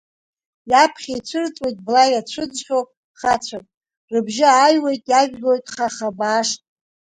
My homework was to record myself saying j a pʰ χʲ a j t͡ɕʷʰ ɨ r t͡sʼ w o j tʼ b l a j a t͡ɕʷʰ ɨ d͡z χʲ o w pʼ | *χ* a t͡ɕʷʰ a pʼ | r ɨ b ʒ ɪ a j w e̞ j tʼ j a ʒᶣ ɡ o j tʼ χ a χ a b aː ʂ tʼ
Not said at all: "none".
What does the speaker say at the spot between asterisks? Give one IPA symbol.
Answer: χ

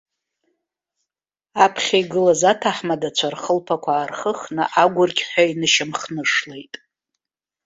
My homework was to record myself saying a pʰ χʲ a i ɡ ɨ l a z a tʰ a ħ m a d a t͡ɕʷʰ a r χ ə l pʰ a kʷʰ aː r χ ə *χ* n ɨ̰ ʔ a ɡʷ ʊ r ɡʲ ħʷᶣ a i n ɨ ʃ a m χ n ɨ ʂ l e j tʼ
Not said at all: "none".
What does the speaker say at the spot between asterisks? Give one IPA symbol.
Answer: χ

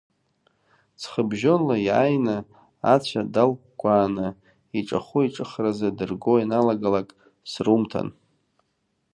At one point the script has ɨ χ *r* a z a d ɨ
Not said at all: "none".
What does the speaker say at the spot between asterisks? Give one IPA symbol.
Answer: r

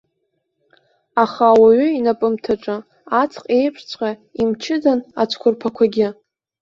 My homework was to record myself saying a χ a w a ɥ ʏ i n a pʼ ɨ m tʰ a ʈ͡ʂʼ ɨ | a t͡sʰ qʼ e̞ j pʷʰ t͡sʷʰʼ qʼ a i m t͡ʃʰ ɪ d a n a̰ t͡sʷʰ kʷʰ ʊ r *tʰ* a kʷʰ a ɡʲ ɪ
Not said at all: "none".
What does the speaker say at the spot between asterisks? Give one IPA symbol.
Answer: pʰ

